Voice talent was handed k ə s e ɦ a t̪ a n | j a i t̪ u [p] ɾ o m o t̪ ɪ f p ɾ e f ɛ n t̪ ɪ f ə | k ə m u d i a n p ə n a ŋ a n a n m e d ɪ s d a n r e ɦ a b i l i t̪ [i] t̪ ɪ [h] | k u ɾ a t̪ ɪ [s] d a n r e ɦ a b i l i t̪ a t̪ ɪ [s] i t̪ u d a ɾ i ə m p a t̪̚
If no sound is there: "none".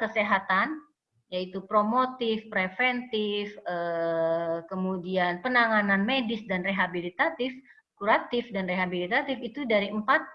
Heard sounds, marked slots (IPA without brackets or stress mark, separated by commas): p, a, f, f, f